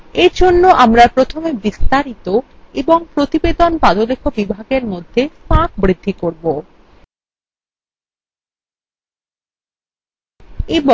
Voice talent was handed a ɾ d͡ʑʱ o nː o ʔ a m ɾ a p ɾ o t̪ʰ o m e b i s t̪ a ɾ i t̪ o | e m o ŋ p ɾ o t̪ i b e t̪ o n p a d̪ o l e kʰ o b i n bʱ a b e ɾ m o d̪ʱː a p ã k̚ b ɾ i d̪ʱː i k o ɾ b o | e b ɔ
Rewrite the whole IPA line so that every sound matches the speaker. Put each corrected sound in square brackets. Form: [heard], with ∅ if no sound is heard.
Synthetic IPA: [e] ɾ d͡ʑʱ o nː o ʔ a m ɾ a p ɾ o t̪ʰ o m e b i s t̪ a ɾ i t̪ o | e [b] o ŋ p ɾ o t̪ i b e [d̪] o n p a d̪ o l e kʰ o b i [∅] bʱ a [ɡ] e ɾ m o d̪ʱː [e] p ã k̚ b ɾ i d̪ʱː i k o ɾ b o | e b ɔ